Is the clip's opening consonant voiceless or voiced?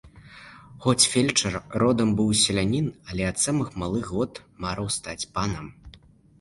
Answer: voiceless